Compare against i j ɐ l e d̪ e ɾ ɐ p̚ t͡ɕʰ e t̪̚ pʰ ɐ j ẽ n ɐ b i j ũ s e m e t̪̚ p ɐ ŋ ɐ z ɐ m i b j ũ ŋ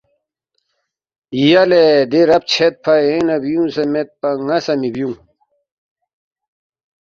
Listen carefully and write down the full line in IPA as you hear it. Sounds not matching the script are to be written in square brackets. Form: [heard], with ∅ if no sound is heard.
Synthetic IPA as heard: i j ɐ l e d̪ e ɾ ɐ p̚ t͡ɕʰ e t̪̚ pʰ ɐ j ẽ n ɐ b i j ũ s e m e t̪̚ p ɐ ŋ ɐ [s] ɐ m i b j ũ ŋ